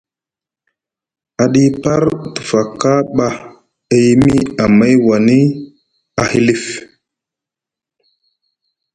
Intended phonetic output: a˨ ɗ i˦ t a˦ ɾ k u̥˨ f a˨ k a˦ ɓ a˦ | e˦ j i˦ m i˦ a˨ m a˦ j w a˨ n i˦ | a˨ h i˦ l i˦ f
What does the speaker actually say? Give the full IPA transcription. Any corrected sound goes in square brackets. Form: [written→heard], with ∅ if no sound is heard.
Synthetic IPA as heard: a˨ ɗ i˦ [t→p] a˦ ɾ [k→t] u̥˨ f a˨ k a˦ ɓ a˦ | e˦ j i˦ m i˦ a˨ m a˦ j w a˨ n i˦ | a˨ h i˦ l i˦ f